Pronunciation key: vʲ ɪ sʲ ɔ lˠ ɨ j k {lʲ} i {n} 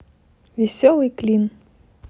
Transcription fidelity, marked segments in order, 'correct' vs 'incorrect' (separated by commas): correct, correct